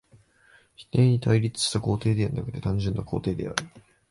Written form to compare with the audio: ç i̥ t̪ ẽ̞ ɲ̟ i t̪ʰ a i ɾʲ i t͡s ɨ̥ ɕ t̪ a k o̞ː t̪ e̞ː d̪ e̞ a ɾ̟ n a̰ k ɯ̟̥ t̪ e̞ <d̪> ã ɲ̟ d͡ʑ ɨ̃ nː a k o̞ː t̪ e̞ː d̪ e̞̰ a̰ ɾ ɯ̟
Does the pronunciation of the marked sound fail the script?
yes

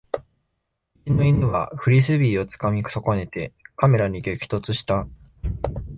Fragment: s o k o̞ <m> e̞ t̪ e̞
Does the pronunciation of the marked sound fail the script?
yes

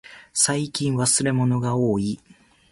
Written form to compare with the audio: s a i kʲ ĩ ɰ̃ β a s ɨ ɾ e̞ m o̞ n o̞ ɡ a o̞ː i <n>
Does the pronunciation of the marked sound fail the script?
yes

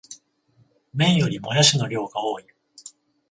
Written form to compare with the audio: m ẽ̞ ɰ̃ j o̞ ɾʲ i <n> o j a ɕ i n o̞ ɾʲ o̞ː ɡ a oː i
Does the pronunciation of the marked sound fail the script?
yes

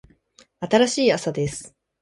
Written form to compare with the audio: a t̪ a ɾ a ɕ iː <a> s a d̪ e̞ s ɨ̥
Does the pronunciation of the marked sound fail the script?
no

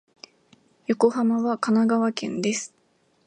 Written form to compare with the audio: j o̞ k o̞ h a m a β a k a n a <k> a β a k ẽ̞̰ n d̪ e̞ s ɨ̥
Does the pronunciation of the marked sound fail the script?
yes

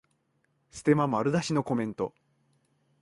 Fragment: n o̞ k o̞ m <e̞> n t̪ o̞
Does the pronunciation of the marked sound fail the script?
yes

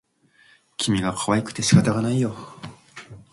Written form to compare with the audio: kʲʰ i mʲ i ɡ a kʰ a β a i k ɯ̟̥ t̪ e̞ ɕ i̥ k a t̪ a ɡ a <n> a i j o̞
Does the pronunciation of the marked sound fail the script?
no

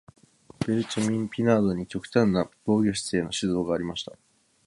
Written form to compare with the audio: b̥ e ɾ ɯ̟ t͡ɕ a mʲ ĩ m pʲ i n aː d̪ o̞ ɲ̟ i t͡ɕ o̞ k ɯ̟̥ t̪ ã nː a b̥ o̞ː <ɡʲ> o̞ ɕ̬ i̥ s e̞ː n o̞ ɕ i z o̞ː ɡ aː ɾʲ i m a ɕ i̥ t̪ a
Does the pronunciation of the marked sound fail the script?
no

